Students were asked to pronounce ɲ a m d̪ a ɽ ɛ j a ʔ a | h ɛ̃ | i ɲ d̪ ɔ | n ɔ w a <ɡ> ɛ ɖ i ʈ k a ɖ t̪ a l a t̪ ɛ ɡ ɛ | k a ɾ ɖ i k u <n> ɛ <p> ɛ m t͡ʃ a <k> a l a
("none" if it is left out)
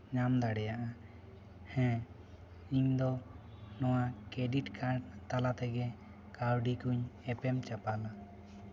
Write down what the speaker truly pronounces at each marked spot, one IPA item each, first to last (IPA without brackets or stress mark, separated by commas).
k, ɲ, p, p